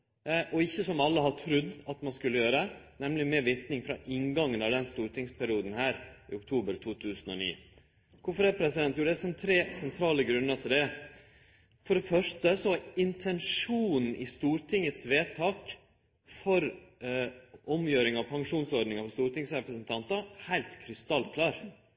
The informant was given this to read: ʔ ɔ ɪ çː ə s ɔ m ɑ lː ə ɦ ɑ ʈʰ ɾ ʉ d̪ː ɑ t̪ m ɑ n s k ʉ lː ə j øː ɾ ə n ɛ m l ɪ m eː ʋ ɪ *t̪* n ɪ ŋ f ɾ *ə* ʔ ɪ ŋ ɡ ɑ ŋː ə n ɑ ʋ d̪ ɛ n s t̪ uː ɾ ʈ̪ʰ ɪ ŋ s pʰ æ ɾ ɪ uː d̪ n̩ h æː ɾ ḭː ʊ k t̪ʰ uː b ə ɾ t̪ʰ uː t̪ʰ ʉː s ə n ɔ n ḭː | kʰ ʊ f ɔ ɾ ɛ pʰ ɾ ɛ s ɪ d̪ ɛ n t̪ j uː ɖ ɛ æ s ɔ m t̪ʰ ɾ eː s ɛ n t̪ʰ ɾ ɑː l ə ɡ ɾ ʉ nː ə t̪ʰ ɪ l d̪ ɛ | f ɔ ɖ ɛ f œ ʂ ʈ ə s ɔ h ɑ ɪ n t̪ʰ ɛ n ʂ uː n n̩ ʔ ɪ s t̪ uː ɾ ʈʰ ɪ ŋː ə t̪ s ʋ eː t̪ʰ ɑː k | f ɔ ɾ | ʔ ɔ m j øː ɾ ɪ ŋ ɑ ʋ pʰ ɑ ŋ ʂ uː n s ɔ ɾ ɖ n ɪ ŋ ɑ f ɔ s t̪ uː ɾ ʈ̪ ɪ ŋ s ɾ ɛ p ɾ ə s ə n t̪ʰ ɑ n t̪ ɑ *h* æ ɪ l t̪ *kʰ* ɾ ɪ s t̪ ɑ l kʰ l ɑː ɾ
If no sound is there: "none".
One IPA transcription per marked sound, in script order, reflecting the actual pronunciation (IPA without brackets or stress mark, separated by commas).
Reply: t̪, ɑ, h, kʰ